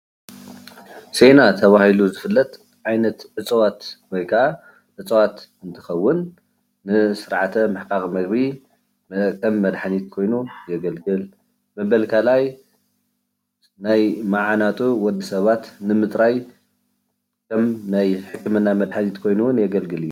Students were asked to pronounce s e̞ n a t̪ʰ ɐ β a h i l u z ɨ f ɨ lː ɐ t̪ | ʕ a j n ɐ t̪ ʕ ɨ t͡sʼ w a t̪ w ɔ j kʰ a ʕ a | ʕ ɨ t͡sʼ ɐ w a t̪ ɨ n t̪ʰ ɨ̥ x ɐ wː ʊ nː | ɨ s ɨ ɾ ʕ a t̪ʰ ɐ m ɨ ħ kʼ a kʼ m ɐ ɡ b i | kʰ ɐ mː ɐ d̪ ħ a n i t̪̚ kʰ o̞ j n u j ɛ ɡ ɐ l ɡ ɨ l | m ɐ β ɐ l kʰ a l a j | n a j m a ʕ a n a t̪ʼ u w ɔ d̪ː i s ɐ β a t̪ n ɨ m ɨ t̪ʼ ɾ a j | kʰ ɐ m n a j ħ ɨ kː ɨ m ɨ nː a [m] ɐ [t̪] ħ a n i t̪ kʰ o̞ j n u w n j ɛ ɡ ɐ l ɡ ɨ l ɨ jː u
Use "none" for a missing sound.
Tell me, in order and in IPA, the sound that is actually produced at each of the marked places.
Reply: m, d̪

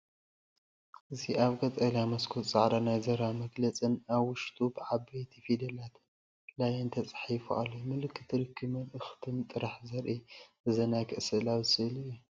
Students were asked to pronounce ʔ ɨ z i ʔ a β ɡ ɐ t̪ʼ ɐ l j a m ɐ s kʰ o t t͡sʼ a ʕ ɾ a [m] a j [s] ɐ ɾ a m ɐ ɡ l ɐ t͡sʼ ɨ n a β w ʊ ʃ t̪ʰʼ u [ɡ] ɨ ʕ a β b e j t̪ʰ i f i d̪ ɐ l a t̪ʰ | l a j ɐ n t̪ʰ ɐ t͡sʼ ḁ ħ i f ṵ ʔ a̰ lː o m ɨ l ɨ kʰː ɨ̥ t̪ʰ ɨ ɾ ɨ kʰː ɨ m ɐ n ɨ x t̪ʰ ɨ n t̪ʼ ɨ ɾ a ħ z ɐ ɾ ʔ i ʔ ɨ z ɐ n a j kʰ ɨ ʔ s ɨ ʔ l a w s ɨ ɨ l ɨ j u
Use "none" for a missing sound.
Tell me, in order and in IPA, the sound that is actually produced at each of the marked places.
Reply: n, z, b

